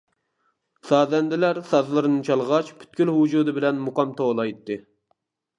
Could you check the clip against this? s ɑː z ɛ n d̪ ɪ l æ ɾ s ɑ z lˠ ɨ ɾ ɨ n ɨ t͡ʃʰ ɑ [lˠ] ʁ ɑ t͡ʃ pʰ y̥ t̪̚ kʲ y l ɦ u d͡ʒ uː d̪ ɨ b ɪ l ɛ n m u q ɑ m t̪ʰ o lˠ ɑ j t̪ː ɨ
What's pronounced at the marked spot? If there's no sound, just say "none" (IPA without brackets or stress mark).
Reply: lˠ